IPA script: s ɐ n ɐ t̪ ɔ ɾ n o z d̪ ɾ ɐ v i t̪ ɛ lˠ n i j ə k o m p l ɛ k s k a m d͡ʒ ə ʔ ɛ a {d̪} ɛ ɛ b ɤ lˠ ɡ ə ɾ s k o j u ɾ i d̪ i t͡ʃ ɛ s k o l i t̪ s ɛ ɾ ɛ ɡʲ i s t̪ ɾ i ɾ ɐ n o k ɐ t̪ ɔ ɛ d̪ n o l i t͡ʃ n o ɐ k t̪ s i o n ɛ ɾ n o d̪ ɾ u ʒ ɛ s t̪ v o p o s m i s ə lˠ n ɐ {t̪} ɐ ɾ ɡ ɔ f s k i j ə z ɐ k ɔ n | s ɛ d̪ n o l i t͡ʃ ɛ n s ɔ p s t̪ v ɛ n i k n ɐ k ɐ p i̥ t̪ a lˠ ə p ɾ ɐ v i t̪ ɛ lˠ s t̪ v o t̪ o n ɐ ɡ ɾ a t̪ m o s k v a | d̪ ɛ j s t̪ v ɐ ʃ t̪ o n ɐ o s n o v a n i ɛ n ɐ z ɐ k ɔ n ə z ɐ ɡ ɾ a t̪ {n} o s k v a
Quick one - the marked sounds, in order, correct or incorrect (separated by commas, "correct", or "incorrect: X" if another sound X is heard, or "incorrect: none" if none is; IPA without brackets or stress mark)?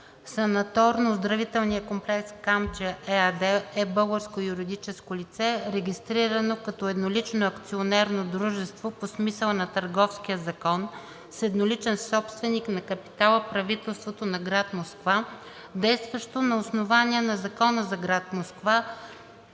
correct, correct, incorrect: m